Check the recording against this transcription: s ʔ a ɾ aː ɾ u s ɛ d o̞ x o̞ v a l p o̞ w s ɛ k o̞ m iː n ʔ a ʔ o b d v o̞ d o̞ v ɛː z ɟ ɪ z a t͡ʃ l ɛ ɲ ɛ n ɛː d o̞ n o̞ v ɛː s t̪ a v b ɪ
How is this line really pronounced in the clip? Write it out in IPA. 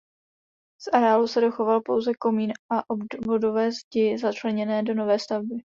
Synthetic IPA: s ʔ a ɾ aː l u s ɛ d o̞ x o̞ v a l p o̞ w z ɛ k o̞ m iː n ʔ a ʔ o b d v o̞ d o̞ v ɛː z ɟ ɪ z a t͡ʃ l ɛ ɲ ɛ n ɛː d o̞ n o̞ v ɛː s t̪ a v b ɪ